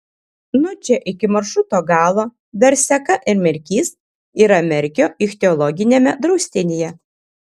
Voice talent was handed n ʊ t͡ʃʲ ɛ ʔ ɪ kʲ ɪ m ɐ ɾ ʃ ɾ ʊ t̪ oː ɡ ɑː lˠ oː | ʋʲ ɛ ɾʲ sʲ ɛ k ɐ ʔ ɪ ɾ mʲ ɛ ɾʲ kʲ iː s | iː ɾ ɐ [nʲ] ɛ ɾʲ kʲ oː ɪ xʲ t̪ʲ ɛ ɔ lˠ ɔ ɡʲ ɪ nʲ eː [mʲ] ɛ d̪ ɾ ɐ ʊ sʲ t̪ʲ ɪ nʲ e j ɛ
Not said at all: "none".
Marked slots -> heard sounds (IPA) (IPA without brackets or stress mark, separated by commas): mʲ, mʲ